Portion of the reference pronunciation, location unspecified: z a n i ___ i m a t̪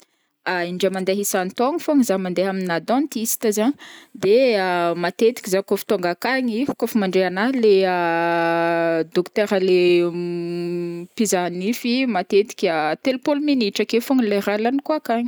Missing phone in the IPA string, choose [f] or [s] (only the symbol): f